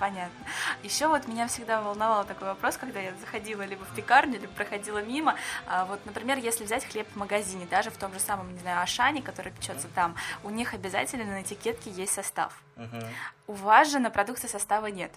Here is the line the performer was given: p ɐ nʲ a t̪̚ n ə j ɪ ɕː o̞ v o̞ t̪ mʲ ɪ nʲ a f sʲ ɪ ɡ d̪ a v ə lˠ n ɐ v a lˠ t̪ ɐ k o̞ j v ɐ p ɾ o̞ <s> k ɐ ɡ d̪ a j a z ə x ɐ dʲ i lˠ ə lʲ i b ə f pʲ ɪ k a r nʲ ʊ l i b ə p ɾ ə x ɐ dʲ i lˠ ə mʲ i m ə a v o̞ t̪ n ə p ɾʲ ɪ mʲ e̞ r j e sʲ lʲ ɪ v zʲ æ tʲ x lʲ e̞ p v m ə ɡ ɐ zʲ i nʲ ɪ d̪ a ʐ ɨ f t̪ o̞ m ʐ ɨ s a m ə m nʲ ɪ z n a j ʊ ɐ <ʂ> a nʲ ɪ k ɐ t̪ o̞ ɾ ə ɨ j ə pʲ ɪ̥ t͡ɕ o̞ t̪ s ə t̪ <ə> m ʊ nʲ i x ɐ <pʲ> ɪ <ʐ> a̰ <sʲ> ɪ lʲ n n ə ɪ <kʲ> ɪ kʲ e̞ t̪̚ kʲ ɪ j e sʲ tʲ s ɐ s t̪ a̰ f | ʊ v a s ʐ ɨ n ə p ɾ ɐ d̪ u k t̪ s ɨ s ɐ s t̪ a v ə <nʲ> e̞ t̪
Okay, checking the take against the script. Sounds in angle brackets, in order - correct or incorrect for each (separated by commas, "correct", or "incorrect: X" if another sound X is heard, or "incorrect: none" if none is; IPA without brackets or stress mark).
correct, correct, incorrect: a, incorrect: bʲ, incorrect: z, incorrect: tʲ, incorrect: tʲ, correct